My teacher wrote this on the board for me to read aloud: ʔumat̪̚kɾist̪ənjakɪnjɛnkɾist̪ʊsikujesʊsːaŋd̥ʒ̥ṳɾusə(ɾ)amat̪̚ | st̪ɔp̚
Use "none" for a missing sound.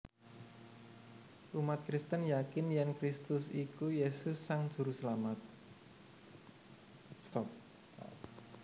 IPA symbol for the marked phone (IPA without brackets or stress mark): l